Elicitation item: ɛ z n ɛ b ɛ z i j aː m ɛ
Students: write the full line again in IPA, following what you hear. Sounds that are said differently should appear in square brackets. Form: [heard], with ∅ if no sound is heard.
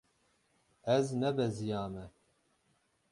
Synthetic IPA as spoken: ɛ z n ɛ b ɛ z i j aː m ɛ